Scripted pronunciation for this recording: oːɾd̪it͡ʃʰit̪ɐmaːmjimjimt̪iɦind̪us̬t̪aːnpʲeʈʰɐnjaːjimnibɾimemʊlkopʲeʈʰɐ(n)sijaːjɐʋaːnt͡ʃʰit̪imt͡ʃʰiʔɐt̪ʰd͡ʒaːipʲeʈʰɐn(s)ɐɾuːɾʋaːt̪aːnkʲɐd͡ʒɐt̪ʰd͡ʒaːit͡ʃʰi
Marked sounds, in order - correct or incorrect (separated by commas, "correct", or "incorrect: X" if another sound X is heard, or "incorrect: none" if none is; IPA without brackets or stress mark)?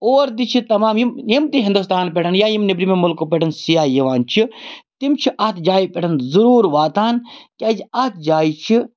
correct, incorrect: z